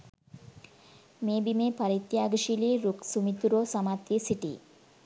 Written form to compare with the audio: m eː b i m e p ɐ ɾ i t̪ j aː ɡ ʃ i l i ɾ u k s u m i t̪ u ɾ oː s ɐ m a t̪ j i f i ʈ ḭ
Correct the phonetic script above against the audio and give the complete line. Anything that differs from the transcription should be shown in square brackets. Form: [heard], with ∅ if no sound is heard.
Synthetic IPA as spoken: m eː b i m e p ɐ ɾ i t̪ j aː ɡ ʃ i l i ɾ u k s u m i t̪ u ɾ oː s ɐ m a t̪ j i [s] i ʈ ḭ